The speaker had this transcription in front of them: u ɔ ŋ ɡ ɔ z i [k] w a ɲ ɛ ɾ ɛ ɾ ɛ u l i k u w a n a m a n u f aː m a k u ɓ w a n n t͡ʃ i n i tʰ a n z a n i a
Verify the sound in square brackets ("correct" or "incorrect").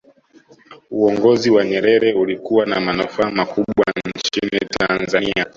incorrect